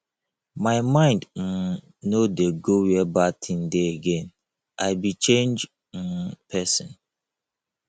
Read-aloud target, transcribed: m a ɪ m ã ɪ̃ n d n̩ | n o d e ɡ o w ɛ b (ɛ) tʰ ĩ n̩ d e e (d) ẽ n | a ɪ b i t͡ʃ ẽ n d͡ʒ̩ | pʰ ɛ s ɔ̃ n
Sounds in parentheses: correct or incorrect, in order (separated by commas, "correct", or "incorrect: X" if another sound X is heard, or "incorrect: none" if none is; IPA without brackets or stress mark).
incorrect: a, incorrect: ɡ